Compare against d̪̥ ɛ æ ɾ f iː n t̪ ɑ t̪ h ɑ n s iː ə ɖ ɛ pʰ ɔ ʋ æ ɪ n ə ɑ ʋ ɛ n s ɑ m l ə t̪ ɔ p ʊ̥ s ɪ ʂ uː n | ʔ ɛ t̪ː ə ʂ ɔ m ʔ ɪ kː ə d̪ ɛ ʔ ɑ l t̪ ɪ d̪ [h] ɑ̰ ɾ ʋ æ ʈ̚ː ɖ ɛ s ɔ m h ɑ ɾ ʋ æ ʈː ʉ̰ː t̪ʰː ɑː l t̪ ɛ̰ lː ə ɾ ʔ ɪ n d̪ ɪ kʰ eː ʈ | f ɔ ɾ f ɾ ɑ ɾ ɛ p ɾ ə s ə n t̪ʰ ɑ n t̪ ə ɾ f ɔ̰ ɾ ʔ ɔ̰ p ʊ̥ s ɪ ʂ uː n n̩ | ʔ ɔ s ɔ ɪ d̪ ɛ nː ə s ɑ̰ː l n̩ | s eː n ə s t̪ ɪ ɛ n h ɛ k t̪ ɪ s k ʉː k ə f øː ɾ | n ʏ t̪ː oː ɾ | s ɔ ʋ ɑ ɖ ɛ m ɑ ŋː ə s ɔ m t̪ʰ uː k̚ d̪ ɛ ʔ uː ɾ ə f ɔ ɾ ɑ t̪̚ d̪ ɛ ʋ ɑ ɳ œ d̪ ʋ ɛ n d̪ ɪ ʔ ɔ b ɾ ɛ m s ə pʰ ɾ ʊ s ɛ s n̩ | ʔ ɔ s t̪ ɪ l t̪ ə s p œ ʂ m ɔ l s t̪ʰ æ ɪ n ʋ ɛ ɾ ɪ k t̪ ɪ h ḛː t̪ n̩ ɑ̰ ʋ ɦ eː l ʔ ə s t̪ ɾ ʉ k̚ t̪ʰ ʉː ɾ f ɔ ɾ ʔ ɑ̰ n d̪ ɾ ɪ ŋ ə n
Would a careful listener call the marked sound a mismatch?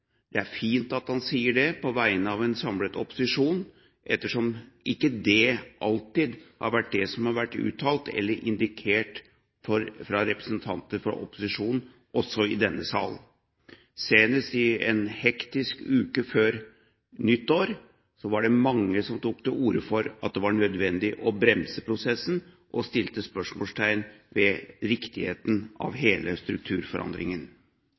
no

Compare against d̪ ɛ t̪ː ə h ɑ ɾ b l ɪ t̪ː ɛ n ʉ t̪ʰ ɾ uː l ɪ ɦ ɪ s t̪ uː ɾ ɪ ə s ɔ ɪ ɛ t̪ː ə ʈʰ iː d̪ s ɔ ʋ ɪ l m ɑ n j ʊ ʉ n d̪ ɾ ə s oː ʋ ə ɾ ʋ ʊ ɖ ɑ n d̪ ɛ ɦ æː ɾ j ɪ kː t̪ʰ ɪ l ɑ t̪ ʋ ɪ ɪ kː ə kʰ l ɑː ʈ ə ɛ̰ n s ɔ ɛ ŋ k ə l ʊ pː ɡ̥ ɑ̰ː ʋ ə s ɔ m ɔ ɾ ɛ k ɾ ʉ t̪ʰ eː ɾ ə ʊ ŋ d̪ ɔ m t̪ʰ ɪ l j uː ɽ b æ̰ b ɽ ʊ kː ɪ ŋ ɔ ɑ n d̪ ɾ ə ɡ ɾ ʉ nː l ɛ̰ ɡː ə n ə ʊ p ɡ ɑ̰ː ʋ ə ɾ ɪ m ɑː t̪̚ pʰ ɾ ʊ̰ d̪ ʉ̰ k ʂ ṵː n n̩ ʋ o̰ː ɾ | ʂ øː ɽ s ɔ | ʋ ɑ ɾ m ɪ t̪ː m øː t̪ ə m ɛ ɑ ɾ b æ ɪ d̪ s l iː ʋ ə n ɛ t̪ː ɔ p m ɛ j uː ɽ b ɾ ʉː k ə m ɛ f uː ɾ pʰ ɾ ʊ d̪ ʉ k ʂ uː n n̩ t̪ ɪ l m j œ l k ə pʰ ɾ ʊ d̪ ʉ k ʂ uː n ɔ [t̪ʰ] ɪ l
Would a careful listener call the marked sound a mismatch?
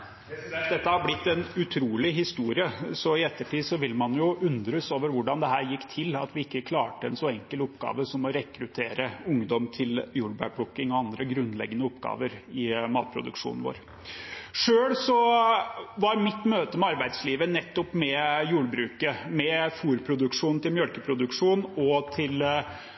no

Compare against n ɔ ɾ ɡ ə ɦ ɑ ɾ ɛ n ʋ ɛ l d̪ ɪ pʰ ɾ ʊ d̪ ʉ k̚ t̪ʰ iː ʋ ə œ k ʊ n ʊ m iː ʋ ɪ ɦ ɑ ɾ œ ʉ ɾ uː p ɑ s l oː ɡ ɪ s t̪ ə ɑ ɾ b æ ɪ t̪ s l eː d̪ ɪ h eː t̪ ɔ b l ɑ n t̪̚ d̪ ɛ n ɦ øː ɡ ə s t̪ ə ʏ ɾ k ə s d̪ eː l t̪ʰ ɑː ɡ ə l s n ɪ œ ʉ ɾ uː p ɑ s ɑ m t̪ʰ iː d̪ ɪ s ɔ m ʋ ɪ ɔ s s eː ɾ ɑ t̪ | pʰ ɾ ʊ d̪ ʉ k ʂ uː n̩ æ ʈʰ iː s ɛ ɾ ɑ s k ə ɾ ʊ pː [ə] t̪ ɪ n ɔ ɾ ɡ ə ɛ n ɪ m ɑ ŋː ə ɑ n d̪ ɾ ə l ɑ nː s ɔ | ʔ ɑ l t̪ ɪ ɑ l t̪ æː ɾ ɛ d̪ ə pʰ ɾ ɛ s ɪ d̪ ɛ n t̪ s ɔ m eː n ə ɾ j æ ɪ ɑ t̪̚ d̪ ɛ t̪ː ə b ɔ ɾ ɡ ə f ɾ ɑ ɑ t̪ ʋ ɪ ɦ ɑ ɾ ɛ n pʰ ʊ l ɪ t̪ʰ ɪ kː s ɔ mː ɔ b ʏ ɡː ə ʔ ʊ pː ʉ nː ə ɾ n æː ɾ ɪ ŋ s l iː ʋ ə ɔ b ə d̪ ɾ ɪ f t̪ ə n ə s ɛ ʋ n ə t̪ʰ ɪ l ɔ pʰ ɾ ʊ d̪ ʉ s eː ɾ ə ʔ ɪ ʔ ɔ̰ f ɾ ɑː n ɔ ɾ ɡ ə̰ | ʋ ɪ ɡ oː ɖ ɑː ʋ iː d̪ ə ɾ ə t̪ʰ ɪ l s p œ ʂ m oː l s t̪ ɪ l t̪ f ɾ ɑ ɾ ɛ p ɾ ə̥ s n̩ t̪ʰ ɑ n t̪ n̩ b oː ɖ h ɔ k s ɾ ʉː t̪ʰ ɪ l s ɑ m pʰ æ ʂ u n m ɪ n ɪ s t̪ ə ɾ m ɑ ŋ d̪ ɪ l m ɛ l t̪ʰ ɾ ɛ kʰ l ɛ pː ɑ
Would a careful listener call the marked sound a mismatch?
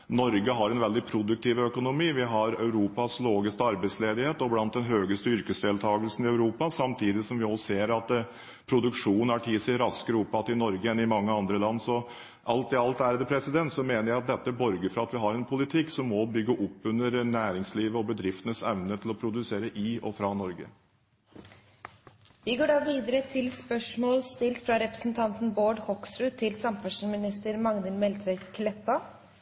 yes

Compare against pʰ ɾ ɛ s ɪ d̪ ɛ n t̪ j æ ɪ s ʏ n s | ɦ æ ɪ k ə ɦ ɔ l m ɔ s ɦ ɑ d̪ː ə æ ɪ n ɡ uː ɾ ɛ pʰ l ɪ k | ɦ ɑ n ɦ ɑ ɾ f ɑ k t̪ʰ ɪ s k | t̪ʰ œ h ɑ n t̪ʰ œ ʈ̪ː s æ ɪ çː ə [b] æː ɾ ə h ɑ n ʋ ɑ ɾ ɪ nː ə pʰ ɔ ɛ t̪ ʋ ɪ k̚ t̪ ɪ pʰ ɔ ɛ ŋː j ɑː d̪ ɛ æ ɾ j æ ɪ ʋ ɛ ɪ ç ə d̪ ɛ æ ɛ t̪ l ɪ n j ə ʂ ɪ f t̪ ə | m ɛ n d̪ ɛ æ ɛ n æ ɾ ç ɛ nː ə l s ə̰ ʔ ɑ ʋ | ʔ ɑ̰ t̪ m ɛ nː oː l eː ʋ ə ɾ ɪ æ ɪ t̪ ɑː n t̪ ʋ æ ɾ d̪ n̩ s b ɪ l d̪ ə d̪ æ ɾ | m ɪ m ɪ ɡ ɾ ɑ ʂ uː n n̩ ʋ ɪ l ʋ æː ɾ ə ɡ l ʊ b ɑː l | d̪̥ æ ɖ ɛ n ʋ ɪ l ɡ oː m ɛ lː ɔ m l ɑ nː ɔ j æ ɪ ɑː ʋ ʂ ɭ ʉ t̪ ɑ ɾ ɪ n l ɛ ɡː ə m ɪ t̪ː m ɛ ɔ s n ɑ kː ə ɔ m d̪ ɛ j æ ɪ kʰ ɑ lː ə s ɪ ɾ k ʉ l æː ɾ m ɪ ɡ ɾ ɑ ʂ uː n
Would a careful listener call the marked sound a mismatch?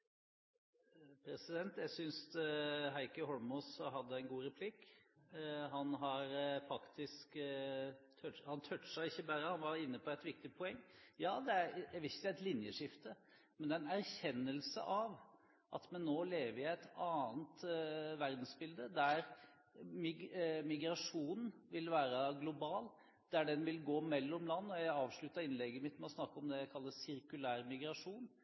no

